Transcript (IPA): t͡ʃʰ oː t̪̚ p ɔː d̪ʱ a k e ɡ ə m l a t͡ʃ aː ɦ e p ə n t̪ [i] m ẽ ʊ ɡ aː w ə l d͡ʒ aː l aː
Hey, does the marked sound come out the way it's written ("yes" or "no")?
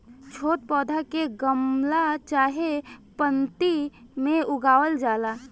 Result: yes